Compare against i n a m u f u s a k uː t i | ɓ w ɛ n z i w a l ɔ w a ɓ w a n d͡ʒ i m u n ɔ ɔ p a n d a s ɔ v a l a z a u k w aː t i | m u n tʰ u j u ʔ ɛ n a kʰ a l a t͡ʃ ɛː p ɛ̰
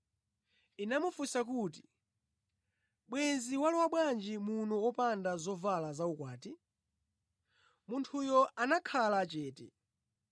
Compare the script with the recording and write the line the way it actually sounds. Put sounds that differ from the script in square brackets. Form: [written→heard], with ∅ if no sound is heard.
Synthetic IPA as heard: i n a m u f u s a k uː t i | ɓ w ɛ n z i w a l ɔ w a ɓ w a n d͡ʒ i m u n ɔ ɔ p a n d a [s→z] ɔ v a l a z a u k w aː t i | m u n tʰ u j [u→ɔ] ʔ [ɛ→a] n a kʰ a l a t͡ʃ ɛː [p→t] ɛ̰